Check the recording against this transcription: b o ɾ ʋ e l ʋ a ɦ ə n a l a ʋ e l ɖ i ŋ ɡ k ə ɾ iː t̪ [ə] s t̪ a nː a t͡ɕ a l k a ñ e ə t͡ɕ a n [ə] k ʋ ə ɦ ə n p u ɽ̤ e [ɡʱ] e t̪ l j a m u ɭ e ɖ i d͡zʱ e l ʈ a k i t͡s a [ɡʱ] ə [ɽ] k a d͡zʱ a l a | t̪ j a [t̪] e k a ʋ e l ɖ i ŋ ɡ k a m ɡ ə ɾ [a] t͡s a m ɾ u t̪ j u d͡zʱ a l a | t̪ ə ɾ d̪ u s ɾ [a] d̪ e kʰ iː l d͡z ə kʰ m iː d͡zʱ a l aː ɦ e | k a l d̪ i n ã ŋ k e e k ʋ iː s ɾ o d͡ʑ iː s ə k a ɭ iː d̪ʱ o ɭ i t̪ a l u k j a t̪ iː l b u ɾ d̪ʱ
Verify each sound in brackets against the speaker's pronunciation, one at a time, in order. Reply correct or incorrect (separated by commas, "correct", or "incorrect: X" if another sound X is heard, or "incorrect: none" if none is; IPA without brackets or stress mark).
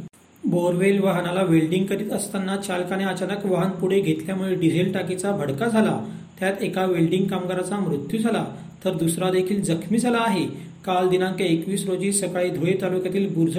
correct, correct, correct, incorrect: bʱ, correct, correct, correct, correct